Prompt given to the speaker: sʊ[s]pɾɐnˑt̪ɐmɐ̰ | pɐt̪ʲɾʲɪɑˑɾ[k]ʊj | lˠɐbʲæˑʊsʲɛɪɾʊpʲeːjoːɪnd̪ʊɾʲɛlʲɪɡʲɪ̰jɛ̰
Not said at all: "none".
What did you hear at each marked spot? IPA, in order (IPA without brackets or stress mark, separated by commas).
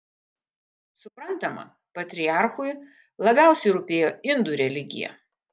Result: none, x